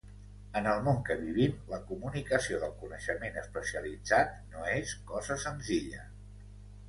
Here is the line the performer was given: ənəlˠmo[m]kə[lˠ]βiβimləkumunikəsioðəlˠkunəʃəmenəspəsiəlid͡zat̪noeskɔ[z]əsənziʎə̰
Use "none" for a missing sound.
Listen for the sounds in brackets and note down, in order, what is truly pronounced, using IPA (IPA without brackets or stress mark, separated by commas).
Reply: ŋ, none, z